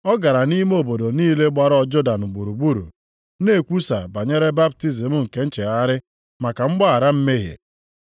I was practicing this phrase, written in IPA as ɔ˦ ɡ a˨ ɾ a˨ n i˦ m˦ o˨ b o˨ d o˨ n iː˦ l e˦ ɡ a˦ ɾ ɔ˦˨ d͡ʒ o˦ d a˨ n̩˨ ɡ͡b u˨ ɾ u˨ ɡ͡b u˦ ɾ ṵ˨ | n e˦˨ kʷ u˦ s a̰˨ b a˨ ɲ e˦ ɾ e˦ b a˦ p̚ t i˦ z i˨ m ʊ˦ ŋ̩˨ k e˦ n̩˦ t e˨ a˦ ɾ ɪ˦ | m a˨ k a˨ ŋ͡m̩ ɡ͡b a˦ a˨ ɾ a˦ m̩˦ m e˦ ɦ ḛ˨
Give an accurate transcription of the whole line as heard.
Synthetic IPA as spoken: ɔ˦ ɡ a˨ ɾ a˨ n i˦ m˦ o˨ b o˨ d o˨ n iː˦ l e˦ ɡ͡b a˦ ɾ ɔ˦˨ d͡ʒ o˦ d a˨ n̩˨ ɡ͡b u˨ ɾ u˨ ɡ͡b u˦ ɾ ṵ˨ | n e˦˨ kʷ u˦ s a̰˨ b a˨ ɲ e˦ ɾ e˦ b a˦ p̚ t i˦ z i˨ m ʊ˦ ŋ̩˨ k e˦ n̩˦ t͡ʃ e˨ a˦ ɾ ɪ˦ | m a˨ k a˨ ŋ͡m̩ ɡ͡b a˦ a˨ ɾ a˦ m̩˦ m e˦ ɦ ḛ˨